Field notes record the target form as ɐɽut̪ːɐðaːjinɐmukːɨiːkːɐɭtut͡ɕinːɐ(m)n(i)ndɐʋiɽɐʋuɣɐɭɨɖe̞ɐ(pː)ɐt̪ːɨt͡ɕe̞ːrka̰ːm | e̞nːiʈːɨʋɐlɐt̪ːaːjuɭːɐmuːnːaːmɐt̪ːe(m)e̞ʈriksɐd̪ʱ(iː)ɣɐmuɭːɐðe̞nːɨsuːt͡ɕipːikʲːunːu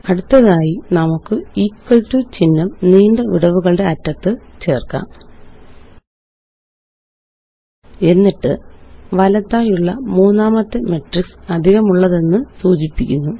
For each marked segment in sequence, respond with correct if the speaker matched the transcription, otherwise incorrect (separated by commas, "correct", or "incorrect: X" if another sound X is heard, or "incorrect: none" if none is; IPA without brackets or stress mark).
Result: correct, incorrect: iː, incorrect: tː, correct, incorrect: i